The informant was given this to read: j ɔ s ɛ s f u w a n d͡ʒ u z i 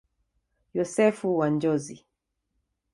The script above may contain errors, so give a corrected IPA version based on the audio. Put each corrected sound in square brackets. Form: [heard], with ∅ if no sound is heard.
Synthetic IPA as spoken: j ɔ s ɛ [∅] f u w a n d͡ʒ [ɔ] z i